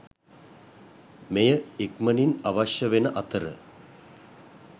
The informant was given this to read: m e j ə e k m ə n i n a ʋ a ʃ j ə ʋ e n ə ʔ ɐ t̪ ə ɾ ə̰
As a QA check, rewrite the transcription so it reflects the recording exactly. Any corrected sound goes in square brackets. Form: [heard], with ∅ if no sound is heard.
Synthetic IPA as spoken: m e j ə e k m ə n i n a ʋ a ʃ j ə ʋ e n ə ʔ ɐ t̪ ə ɾ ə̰